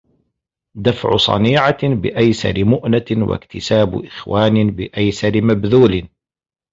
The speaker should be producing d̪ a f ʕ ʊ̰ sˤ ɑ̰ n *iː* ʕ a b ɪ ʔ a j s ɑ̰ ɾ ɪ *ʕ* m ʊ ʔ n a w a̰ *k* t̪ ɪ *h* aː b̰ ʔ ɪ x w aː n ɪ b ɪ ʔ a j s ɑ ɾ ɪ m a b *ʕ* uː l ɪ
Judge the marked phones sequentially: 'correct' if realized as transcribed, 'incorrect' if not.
correct, incorrect, correct, incorrect, incorrect

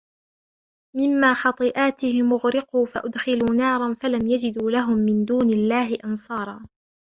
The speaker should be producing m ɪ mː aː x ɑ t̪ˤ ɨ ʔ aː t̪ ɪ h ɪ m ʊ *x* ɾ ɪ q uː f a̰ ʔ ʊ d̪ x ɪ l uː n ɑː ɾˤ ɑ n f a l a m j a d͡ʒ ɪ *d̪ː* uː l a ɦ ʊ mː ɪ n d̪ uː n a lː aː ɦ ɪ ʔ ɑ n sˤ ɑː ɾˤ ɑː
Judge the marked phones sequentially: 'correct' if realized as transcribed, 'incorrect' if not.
incorrect, incorrect

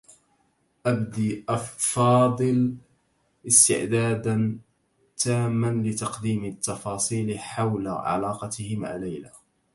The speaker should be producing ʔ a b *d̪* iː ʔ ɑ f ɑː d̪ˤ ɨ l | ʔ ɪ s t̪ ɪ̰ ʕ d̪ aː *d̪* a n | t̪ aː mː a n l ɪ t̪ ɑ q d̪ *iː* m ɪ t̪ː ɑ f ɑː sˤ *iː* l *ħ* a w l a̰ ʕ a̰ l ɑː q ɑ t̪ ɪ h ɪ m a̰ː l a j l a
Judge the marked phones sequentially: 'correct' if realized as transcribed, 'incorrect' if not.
correct, correct, correct, correct, correct

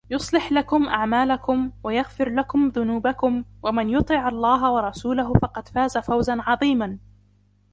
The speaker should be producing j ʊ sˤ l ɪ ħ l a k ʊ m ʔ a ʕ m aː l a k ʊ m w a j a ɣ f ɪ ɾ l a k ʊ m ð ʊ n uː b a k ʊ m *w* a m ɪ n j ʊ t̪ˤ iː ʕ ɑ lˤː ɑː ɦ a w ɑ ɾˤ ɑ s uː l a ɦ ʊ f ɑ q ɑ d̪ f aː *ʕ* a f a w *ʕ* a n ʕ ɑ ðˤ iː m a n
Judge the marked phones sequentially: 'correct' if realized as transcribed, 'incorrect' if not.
correct, incorrect, incorrect

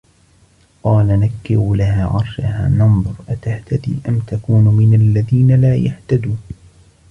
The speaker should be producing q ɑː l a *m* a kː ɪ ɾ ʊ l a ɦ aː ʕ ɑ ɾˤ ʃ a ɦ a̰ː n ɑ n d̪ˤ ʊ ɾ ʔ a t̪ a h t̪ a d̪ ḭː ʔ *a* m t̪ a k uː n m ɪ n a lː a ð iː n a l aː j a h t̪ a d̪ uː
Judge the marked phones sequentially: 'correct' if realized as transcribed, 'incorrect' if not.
incorrect, correct

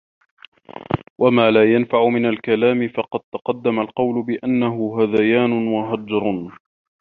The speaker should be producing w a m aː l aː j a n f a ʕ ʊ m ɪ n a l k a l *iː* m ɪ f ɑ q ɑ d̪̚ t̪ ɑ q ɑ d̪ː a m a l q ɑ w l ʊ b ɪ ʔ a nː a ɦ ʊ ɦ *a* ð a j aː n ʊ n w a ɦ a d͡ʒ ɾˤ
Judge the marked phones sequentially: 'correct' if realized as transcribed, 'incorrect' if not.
incorrect, correct

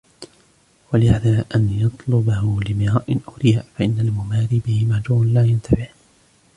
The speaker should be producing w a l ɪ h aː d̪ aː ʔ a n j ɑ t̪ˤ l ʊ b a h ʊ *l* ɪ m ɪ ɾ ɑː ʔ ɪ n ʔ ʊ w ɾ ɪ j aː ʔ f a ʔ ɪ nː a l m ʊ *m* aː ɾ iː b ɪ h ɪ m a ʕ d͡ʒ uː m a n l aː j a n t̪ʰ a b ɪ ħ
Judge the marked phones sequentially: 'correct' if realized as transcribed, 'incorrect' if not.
correct, correct

